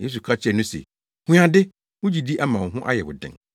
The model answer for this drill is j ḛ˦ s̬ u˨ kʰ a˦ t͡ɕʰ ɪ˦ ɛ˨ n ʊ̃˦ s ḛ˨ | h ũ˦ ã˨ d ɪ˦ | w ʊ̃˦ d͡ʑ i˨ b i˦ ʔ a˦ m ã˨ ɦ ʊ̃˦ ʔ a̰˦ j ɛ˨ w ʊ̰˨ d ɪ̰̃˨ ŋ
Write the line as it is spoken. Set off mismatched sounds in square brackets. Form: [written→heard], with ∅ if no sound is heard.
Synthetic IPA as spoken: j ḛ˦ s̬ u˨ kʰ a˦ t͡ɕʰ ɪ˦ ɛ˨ n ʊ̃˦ s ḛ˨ | h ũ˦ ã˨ d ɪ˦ | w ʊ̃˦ d͡ʑ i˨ [b→d] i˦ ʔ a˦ m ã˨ ɦ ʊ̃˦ ʔ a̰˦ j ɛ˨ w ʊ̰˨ d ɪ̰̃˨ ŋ